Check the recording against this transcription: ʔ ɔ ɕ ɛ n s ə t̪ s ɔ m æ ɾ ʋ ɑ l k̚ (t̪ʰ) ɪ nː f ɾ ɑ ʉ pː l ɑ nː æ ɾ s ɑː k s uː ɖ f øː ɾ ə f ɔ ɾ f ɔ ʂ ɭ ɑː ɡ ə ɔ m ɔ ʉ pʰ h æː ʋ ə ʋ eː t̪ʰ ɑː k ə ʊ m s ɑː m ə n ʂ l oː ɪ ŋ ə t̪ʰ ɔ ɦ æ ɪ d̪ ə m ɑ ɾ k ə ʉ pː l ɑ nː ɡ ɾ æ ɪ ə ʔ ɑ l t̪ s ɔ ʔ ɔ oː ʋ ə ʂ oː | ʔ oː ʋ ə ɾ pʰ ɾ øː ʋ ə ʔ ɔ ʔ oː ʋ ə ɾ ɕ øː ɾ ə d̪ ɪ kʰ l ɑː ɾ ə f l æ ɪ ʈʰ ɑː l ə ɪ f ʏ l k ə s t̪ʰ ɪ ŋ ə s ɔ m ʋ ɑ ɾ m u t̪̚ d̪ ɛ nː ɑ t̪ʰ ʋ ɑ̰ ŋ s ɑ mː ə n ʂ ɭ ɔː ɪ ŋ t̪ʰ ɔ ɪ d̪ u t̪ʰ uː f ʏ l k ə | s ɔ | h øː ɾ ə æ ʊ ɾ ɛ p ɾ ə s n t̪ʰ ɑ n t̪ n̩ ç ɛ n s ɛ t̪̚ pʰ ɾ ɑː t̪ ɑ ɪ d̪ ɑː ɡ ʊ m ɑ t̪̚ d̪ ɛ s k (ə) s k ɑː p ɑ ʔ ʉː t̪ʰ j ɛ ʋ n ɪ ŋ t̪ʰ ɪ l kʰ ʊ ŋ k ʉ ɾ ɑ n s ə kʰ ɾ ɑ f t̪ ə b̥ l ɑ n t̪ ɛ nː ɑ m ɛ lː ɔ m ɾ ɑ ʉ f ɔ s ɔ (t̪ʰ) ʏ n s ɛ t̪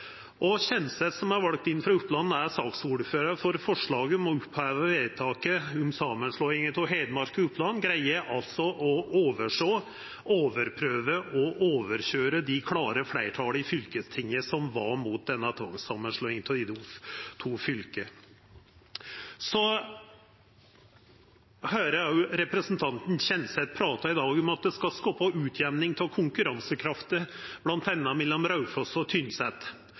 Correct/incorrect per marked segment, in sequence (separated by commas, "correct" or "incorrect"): incorrect, incorrect, correct